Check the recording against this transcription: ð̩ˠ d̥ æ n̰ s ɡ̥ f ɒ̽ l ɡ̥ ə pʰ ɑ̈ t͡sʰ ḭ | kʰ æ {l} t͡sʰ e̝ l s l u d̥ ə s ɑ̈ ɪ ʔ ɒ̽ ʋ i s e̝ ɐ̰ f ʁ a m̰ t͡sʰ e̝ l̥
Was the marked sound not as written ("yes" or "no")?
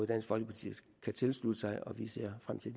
yes